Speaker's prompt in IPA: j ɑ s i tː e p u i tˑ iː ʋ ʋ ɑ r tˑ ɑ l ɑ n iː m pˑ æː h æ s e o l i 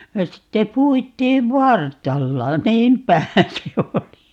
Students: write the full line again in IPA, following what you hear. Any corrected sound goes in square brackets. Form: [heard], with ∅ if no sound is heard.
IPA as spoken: j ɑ s i tː e p u i tˑ iː ʋ ʋ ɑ r tˑ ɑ [lː] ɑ n iː m pˑ [æ] h æ s e o l i